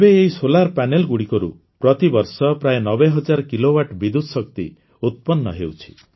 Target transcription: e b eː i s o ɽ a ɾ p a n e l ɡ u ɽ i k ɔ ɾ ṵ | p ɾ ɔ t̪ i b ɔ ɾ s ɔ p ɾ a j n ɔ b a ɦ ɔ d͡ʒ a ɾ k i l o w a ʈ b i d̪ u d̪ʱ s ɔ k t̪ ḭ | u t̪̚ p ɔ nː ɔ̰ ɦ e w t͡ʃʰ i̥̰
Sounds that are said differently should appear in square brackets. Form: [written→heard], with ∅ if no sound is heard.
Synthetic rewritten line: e b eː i s o [ɽ→l] a ɾ p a n e l ɡ u ɽ i k ɔ ɾ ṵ | p ɾ ɔ t̪ i b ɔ ɾ s ɔ p ɾ a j n ɔ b [a→e] ɦ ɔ d͡ʒ a ɾ k i l o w a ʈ b i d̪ u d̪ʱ s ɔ k t̪ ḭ | u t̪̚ p ɔ nː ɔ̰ ɦ e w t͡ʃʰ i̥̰